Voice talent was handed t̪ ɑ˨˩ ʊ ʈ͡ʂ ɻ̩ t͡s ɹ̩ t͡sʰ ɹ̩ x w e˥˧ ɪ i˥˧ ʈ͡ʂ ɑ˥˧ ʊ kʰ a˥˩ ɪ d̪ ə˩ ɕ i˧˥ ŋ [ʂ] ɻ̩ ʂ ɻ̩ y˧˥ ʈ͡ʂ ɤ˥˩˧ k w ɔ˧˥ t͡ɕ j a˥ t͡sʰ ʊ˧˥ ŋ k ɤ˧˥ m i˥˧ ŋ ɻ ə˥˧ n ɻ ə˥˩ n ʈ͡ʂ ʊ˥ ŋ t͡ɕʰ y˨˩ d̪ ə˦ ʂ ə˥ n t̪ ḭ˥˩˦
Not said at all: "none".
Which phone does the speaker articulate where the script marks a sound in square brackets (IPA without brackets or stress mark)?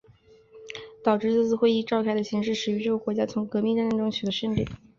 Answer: ʂ